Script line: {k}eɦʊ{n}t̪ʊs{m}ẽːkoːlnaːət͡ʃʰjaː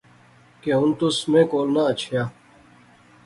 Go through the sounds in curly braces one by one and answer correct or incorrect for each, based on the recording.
correct, correct, correct

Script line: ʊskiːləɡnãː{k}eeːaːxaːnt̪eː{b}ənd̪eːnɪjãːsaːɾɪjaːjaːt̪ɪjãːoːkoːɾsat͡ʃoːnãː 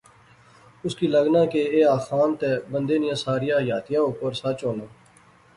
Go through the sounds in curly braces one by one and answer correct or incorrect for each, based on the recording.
correct, correct

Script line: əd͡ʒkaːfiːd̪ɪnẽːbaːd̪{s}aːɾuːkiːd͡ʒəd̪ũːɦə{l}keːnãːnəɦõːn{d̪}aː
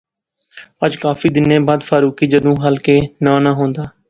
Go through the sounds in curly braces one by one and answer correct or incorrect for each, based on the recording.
incorrect: f, correct, correct

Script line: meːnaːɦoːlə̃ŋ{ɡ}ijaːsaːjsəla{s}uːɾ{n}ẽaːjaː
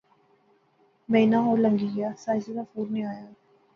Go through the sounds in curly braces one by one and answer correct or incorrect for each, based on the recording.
correct, incorrect: f, correct

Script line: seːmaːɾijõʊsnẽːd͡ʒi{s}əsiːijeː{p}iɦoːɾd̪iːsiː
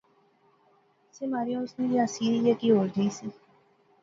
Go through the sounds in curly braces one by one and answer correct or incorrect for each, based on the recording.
incorrect: none, incorrect: k

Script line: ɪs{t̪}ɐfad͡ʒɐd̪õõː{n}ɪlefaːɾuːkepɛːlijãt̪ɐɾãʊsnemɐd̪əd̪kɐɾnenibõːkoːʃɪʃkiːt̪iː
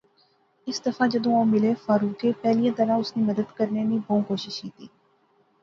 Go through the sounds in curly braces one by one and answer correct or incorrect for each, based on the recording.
incorrect: d̪, incorrect: m

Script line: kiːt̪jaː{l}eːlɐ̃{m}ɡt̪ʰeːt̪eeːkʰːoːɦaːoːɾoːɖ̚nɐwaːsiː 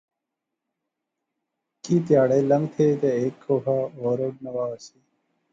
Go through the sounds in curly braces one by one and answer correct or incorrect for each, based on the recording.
incorrect: ɽ, incorrect: ŋ

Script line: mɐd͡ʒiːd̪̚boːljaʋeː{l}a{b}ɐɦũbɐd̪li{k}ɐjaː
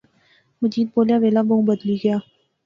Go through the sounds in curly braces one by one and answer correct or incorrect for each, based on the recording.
correct, correct, incorrect: ɡ

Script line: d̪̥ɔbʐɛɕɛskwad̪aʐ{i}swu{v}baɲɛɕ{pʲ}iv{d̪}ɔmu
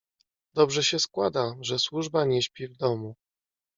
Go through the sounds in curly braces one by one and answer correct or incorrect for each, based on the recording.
incorrect: ɛ, incorrect: ʐ, correct, correct

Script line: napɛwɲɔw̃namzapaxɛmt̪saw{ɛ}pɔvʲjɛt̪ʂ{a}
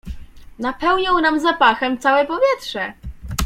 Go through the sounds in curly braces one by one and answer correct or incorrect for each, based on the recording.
correct, incorrect: ɛ

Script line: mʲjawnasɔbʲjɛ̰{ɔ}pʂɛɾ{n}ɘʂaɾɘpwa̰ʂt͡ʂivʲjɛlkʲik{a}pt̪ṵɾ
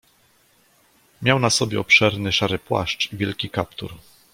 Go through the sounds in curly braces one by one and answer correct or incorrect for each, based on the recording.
correct, correct, correct

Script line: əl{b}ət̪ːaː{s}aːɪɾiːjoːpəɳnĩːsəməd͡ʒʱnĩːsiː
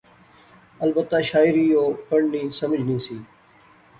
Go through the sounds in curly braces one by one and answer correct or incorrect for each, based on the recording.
correct, incorrect: ʃ

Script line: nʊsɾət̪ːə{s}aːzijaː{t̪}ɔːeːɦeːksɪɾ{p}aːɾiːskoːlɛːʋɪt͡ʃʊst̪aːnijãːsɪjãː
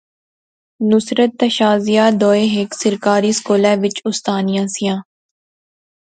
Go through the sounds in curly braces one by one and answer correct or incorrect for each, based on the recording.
incorrect: ʃ, incorrect: d̪, incorrect: k

